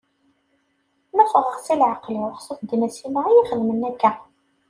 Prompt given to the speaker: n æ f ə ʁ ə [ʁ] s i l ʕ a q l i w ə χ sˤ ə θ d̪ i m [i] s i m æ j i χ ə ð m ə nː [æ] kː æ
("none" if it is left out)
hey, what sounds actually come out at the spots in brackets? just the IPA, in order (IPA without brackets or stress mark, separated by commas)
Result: ʁ, æ, æ